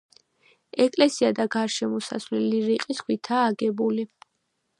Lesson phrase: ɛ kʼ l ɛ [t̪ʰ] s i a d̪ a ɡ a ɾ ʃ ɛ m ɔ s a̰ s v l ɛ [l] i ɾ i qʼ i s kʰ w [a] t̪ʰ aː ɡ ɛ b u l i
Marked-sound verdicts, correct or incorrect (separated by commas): incorrect, correct, incorrect